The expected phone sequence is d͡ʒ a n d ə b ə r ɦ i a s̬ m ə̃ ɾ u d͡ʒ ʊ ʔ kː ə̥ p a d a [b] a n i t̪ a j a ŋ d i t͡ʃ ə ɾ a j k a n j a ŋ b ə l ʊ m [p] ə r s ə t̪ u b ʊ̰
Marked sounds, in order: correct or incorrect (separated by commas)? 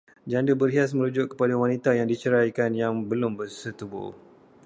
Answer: incorrect, incorrect